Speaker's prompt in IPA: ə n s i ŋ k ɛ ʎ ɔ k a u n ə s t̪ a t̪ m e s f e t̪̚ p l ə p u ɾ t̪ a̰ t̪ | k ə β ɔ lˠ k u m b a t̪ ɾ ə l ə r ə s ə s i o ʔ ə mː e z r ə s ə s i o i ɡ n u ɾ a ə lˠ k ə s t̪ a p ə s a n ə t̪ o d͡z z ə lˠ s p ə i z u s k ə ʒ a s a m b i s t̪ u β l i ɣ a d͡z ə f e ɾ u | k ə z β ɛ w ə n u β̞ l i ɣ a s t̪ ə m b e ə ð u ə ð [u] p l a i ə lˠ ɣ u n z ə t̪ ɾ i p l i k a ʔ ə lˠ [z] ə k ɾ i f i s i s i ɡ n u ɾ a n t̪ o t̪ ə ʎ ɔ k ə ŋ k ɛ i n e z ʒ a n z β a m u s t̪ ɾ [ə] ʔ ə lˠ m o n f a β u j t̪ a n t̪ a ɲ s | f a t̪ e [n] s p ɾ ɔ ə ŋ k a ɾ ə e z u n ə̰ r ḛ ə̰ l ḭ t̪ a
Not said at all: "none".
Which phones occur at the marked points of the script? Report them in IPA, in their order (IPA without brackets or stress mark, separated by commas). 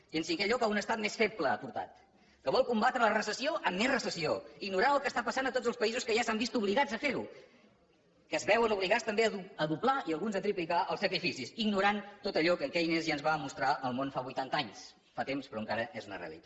u, s, a, m